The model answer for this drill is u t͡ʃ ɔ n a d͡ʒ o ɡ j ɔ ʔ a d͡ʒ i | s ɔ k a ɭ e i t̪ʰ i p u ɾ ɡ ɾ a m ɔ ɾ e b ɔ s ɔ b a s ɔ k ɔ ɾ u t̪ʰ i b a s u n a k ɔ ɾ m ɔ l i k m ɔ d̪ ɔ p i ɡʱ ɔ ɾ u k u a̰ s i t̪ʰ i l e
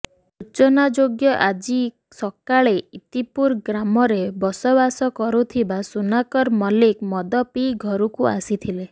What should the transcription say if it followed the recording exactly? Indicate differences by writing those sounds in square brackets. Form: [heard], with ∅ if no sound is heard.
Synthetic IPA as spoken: u t͡ʃ ɔ n a d͡ʒ o ɡ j ɔ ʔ a d͡ʒ i | s ɔ k a ɭ e i [t̪] i p u ɾ ɡ ɾ a m ɔ ɾ e b ɔ s ɔ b a s ɔ k ɔ ɾ u t̪ʰ i b a s u n a k ɔ ɾ m ɔ l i k m ɔ d̪ ɔ p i ɡʱ ɔ ɾ u k u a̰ s i t̪ʰ i l e